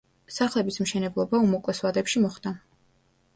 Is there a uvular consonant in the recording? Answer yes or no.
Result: yes